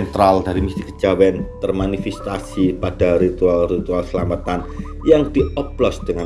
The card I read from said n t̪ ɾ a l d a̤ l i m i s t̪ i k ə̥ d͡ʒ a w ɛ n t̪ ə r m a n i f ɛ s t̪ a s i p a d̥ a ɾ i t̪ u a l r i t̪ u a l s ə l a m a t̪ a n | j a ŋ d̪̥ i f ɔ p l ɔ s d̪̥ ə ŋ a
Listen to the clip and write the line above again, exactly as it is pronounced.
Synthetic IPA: n t̪ ɾ a l d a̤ ɾ i m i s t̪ i k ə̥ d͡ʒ a w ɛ n t̪ ə r m a n i f ɛ s t̪ a s i p a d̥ a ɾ i t̪ u a l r i t̪ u a l s ə l a m a t̪ a n | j a ŋ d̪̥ i ɔ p l ɔ s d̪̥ ə ŋ a